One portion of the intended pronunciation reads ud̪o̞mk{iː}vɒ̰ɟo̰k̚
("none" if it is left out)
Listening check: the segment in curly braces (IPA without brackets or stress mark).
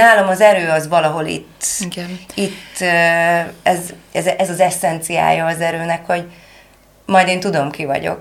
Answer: i